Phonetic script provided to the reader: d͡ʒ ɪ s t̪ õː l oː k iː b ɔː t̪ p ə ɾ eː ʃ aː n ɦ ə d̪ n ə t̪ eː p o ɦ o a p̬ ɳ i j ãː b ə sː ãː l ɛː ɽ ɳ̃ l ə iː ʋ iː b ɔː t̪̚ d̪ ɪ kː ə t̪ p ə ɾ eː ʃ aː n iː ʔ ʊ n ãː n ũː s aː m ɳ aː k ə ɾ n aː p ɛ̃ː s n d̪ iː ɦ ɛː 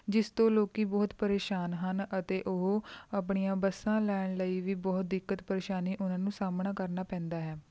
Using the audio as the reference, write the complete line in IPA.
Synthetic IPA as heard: d͡ʒ ɪ s t̪ õː l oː k iː b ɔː t̪ p ə ɾ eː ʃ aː n ɦ ə n ə t̪ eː ʔ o ɦ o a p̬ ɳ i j ãː b ə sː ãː l ɛː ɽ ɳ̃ l ə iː ʋ iː b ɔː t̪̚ d̪ ɪ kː ə t̪ p ə ɾ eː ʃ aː n iː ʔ ʊ n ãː n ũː s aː m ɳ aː k ə ɾ n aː p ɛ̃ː n d̪ aː ɦ ɛː